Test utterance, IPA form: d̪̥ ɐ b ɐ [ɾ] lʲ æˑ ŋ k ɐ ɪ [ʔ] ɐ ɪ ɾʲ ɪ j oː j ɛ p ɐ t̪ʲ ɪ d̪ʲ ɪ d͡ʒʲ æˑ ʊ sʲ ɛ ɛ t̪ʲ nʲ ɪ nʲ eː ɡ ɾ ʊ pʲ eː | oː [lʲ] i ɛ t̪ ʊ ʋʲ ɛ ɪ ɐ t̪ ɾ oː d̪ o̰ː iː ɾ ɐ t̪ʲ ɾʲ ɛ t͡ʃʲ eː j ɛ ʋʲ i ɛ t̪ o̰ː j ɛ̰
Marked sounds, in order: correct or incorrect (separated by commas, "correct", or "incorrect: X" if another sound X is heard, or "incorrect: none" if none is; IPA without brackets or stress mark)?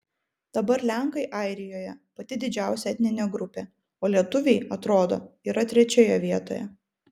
correct, correct, correct